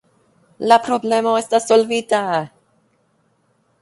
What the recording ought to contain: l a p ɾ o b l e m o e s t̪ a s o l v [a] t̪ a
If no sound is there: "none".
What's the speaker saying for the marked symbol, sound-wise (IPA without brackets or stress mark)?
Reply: i